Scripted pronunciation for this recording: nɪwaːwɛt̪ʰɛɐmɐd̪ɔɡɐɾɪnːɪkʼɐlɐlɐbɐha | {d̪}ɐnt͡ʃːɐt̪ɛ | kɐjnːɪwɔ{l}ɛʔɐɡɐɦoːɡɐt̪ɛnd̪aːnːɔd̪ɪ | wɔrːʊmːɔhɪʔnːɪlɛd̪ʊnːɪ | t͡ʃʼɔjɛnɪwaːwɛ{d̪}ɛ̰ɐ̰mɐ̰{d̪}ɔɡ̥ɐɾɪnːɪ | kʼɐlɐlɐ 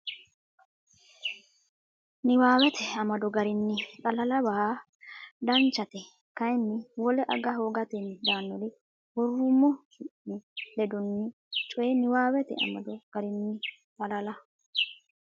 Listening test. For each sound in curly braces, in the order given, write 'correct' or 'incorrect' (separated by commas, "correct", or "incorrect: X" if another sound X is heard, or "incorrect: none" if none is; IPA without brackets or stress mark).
correct, correct, incorrect: t̪, correct